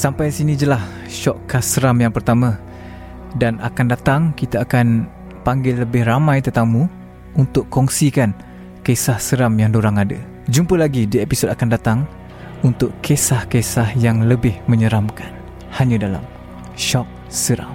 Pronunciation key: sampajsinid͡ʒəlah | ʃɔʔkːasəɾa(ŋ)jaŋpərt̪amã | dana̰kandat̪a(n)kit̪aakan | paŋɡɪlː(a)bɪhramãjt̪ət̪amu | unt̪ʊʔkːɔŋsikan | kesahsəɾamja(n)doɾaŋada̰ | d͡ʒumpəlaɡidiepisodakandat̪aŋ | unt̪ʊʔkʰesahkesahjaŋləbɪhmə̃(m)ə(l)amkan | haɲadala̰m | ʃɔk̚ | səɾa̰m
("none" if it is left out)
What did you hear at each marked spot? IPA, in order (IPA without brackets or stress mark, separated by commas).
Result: m, ŋ, ə, ŋ, ɲ, ɾ